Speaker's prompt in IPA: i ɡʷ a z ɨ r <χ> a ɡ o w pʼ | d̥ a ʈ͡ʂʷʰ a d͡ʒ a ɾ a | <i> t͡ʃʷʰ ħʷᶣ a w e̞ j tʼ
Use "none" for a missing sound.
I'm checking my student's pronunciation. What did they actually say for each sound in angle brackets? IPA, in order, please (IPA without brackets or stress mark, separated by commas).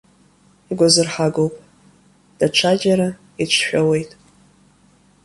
ħ, i